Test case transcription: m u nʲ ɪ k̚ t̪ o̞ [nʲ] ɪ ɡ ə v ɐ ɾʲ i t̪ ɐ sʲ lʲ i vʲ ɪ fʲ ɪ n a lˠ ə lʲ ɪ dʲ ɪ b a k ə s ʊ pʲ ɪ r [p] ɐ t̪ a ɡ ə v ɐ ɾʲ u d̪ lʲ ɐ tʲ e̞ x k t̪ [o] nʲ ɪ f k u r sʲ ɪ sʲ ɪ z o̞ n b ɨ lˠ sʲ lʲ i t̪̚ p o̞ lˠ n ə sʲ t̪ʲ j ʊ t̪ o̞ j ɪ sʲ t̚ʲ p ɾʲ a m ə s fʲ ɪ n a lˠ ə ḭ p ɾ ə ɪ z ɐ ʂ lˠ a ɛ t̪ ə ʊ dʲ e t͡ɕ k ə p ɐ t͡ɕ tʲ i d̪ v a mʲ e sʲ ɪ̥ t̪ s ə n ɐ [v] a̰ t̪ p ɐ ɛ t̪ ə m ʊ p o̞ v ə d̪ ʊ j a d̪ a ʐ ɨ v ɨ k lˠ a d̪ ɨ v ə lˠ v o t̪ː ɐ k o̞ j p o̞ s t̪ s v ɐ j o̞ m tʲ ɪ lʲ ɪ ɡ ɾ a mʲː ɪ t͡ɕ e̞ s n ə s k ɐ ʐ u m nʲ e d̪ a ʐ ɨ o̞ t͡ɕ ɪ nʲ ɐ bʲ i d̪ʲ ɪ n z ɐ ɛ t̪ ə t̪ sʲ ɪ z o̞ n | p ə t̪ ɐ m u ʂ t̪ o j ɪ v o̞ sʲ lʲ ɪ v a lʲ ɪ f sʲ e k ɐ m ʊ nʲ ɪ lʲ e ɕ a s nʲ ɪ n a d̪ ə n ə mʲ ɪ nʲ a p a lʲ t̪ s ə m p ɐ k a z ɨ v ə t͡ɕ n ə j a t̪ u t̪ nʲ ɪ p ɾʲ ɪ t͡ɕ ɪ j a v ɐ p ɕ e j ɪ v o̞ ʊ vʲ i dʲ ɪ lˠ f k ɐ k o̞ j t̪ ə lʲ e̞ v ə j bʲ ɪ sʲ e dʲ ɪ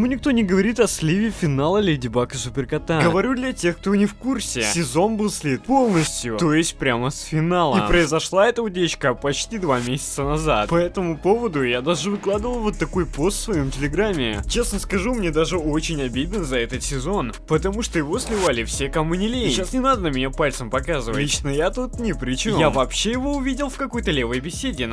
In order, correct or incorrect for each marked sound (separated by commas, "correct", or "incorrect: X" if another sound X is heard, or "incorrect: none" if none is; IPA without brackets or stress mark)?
correct, incorrect: k, correct, incorrect: z